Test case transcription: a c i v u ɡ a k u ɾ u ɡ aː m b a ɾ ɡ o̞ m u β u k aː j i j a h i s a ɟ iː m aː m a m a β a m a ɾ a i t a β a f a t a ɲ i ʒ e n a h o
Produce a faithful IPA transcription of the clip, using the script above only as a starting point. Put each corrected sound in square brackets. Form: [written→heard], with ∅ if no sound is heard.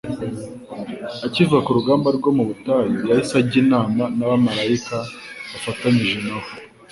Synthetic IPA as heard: a c i v u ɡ a k u ɾ u ɡ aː m b a ɾ ɡ o̞ m u β u [k→t] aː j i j a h i s a ɟ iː [m→n] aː m a [m→n] a β a m a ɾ a i [t→k] a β a f a t a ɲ i ʒ e n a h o

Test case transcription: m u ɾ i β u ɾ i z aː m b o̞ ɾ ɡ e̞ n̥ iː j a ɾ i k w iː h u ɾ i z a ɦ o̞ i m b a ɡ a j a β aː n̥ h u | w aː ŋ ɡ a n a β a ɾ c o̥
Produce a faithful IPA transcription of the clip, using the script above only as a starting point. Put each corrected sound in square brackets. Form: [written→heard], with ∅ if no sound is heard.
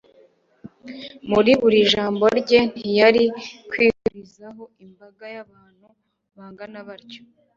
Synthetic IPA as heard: m u ɾ i β u ɾ i [z→ʒ] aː m b o̞ ɾ [ɡ→ɟ] e̞ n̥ [iː→i] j a ɾ i k w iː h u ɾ i z a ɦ o̞ i m b a ɡ a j a β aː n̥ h u | [w→β] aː ŋ ɡ a n a β a ɾ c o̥

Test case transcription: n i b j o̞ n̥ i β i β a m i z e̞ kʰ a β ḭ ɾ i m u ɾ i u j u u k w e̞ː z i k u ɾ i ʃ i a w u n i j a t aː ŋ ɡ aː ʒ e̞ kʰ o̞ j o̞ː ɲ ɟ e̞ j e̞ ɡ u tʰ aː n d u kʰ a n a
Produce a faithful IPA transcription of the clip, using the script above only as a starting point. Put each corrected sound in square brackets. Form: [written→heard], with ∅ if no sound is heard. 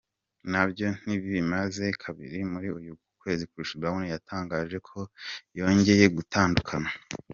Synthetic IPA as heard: n [i→a] b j o̞ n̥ i β i β [a→i] m [i→a] z e̞ kʰ a β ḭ ɾ i m u ɾ i u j u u k w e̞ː z i k u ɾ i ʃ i a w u n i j a t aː ŋ ɡ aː ʒ e̞ kʰ o̞ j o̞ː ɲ ɟ e̞ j e̞ ɡ u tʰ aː n d u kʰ a n a

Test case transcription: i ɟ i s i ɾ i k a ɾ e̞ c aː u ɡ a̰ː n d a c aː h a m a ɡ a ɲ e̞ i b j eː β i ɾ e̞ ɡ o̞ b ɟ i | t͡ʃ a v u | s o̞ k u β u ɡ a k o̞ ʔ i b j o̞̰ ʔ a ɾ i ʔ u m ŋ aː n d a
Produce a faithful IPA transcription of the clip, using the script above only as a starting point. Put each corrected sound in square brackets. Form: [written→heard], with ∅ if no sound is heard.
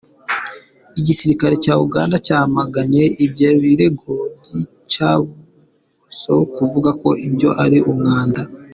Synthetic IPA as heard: i ɟ i s i ɾ i k a ɾ e̞ c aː u ɡ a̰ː n d a c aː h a m a ɡ a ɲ e̞ i b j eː β i ɾ e̞ ɡ o̞ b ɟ i | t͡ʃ a [v→β] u | s o̞ k u [β→v] u ɡ a k o̞ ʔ i b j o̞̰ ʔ a ɾ i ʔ u m ŋ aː n d a

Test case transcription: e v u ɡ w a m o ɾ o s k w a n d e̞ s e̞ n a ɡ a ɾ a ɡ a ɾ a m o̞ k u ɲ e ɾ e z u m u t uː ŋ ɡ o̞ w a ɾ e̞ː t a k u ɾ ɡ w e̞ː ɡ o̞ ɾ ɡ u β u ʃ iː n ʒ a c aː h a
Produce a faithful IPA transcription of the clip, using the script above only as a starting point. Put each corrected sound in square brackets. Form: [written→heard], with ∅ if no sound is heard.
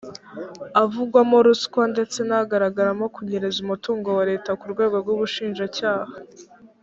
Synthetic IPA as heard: [e→a] v u ɡ w a m o ɾ [o→u] s k w a n d e̞ [s→t͡s] e̞ n a ɡ a ɾ a ɡ a ɾ a m o̞ k u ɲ e ɾ e z u m u t uː ŋ ɡ o̞ w a ɾ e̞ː t a k u ɾ ɡ w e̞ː ɡ o̞ ɾ ɡ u β u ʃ iː n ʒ a c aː h a

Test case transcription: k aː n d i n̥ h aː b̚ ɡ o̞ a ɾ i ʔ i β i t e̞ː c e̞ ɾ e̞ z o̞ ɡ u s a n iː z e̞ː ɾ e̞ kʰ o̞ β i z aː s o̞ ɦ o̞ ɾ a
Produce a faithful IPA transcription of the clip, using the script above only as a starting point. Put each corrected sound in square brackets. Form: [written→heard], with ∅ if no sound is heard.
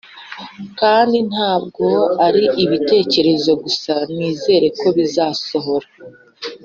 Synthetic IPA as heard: k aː n d i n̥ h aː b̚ ɡ o̞ a ɾ i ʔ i β i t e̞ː c e̞ ɾ e̞ z o̞ ɡ u s a n iː z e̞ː ɾ e̞ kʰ o̞ β i z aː s o̞ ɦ o̞ ɾ a

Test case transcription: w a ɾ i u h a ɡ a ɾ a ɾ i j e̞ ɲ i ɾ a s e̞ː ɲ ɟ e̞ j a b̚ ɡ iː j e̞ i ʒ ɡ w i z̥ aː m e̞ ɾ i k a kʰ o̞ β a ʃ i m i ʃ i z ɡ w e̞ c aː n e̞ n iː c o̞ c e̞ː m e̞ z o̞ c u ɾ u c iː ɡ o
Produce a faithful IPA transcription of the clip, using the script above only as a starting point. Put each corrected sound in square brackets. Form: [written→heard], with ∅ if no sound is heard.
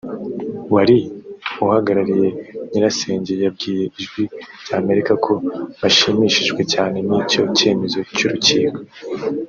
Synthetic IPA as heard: w a ɾ i u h a ɡ a ɾ a ɾ i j e̞ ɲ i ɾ a s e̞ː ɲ ɟ e̞ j a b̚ ɡ iː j e̞ i ʒ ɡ w i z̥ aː m e̞ ɾ i k a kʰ o̞ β a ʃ i m i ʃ i [z→ʒ] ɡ w e̞ c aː n e̞ n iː c o̞ c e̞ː m e̞ z o̞ c u ɾ u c iː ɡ o

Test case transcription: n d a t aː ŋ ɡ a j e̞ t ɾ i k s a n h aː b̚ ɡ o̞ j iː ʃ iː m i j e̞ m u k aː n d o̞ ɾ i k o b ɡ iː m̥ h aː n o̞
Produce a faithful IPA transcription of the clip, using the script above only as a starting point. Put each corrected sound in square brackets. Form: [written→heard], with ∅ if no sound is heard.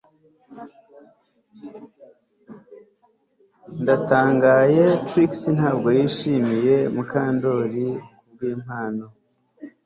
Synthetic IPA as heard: n d a t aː ŋ ɡ a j e̞ t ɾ i k s [a→i] n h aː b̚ ɡ o̞ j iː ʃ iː m i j e̞ m u k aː n d o̞ ɾ i k [o→u] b ɡ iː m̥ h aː n o̞

